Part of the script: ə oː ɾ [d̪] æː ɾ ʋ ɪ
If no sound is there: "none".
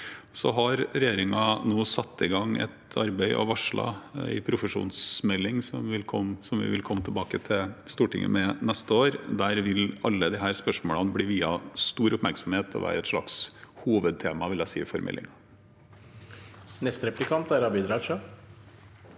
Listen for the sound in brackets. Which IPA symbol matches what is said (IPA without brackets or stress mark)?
d̪